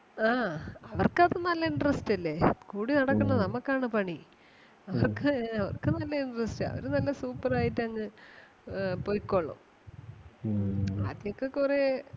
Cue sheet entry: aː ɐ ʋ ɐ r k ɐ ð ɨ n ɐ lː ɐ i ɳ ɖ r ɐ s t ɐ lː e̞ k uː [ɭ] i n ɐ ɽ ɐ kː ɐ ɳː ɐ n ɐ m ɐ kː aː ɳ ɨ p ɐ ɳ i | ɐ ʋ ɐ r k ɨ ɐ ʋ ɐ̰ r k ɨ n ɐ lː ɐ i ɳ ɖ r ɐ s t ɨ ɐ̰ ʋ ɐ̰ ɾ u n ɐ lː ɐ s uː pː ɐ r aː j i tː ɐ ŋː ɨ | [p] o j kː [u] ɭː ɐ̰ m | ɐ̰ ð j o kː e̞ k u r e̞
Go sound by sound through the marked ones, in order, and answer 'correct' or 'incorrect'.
incorrect: ɽ, correct, incorrect: o

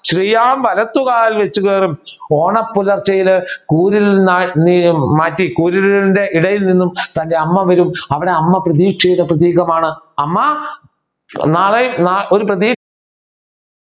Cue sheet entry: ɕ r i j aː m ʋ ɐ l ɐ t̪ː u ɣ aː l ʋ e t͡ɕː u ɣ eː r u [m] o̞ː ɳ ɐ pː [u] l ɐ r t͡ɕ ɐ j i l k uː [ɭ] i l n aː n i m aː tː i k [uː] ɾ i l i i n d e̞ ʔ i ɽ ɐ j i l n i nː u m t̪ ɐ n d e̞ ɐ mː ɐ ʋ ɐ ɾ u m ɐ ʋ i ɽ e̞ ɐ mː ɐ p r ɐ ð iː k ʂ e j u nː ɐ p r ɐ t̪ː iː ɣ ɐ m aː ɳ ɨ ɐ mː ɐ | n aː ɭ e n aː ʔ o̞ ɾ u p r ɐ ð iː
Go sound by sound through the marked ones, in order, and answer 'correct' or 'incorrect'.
correct, correct, incorrect: ɾ, correct

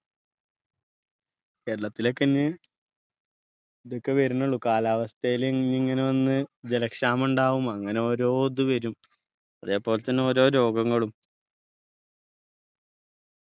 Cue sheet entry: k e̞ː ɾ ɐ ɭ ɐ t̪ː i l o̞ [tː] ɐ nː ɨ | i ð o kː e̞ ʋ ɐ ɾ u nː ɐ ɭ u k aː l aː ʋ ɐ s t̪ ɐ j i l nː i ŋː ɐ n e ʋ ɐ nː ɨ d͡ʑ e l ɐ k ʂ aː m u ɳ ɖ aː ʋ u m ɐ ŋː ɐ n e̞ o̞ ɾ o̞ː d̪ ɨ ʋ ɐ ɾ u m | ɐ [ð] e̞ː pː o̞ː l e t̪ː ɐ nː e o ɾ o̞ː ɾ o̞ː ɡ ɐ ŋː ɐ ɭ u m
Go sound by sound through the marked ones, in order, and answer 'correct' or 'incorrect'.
incorrect: kː, correct

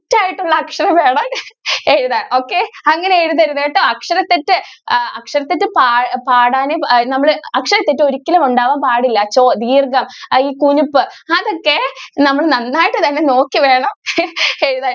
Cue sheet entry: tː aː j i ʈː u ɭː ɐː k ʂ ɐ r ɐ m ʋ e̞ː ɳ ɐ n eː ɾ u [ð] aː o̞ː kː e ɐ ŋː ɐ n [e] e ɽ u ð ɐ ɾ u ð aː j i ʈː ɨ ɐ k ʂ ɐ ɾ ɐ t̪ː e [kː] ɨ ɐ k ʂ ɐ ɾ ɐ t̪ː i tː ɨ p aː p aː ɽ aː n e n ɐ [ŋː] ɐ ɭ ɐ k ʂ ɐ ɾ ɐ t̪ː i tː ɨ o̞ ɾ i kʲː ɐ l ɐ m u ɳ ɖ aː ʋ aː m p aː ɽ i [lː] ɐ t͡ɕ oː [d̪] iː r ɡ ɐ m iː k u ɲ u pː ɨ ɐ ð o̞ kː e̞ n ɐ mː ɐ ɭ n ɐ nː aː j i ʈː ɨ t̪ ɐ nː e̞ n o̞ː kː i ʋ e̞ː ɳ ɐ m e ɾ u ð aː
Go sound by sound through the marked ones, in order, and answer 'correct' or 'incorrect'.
correct, correct, incorrect: tː, incorrect: mː, correct, correct

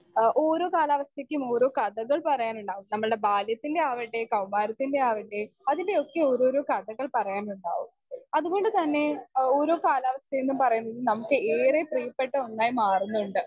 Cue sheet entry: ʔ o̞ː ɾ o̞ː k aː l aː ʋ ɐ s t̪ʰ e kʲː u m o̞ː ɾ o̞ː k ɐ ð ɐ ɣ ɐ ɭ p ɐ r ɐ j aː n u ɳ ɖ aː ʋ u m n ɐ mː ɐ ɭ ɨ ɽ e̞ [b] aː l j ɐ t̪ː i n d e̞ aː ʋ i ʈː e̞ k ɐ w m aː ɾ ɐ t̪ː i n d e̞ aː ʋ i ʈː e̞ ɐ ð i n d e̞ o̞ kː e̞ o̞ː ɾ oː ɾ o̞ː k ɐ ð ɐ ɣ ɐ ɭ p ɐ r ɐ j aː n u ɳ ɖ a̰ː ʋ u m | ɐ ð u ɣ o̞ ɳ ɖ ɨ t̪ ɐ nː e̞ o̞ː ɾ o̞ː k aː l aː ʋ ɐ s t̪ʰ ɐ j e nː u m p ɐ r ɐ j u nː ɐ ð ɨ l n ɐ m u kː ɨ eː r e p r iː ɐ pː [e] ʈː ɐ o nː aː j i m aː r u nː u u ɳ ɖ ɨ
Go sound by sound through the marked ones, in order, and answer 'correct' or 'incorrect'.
correct, correct

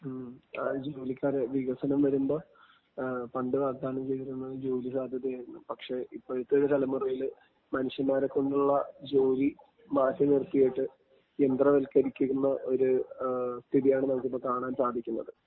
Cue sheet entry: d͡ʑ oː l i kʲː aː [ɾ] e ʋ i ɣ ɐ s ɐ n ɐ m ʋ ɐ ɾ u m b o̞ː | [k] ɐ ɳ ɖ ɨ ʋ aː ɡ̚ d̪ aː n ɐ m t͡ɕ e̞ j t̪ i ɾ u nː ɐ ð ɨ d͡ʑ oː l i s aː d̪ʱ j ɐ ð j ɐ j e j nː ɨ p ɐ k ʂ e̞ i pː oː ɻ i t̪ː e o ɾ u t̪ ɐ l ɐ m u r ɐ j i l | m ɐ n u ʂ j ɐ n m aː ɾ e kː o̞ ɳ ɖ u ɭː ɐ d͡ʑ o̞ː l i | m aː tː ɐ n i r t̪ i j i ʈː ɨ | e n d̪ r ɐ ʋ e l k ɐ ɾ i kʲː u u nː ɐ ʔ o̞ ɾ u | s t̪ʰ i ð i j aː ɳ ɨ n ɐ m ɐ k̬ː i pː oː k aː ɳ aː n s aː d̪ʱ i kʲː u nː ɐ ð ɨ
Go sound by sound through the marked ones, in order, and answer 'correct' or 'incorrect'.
correct, incorrect: p

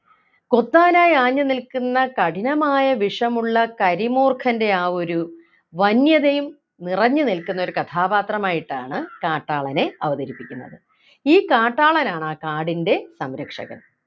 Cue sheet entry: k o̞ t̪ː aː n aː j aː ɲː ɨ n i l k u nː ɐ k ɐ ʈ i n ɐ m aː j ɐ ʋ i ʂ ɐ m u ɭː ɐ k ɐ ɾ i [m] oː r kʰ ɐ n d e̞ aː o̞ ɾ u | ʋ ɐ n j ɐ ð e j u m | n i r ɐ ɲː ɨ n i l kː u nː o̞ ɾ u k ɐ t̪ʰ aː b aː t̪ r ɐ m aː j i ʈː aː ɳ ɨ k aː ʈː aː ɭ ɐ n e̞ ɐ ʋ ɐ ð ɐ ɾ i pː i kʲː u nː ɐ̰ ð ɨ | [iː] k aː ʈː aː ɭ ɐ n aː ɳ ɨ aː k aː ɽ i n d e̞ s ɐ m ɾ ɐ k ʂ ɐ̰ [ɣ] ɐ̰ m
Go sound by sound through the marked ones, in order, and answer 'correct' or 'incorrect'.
correct, correct, correct

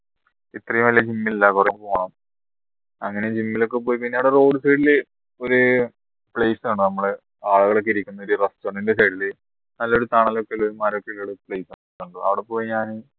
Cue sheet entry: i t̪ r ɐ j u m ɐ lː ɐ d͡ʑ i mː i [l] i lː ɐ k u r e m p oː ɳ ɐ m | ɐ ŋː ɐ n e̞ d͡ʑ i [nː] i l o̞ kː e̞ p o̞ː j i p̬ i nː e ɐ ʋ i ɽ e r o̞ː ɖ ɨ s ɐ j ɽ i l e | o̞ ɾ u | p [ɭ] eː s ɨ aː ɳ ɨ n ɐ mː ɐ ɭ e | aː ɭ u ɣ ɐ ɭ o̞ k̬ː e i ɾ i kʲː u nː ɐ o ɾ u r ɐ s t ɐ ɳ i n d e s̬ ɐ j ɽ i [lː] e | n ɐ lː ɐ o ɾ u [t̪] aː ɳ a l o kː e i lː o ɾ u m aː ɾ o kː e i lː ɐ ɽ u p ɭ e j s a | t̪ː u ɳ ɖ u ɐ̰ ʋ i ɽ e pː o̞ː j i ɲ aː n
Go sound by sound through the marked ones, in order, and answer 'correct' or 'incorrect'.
correct, incorrect: mː, correct, incorrect: l, correct

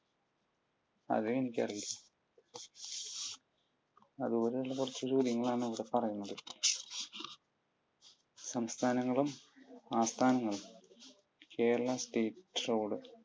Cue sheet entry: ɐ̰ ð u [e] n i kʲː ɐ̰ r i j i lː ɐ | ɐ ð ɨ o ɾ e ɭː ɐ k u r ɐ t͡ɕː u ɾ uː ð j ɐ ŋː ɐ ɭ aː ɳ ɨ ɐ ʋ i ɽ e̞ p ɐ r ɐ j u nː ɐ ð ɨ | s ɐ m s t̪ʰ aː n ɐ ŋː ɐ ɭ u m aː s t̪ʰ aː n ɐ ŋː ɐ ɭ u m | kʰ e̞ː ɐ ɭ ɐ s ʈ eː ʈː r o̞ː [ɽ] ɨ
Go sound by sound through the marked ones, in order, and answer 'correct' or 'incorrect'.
correct, correct

